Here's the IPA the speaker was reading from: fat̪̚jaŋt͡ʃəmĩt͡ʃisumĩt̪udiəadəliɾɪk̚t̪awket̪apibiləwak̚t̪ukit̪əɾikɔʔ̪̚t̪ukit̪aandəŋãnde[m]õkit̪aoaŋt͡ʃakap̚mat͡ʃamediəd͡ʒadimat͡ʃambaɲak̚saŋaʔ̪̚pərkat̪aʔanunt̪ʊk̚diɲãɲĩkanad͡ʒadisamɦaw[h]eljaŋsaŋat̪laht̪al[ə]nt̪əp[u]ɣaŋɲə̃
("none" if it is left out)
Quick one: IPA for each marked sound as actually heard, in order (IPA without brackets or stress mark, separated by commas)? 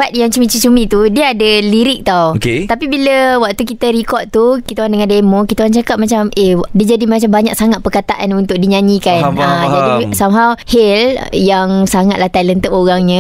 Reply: m, h, ə, o